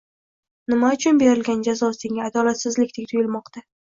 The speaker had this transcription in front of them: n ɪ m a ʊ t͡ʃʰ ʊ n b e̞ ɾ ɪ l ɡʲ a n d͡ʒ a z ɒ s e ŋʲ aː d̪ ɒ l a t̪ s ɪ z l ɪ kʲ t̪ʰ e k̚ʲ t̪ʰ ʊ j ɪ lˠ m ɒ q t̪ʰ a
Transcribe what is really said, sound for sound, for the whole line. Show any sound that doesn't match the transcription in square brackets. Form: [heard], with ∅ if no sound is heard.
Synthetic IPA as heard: n ɪ m a ʊ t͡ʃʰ ʊ n b e̞ ɾ ɪ l ɡʲ a n d͡ʒ a z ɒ s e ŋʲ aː d̪ ɒ l a t̪ s ɪ z l ɪ kʲ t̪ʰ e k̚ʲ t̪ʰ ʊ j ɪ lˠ m ɒ q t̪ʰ a